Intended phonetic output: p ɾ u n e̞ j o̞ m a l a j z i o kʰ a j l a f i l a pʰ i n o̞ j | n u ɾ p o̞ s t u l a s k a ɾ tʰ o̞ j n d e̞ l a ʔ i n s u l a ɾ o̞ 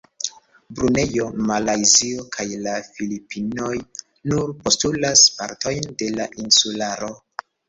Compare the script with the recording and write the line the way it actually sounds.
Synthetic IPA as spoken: b ɾ u n e̞ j o̞ m a l a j z i o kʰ a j l a f i l i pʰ i n o̞ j | n u ɾ p o̞ s t u l a s p a ɾ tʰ o̞ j n d e̞ l a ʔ i n s u l a ɾ o̞